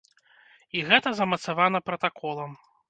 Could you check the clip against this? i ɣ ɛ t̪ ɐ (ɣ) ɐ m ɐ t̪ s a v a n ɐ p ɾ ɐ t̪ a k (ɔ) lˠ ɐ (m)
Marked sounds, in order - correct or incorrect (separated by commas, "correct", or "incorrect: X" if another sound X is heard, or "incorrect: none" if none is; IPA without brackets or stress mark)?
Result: incorrect: z, correct, correct